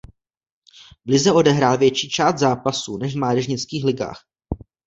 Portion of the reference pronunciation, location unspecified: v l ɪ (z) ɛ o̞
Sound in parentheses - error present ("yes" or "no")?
no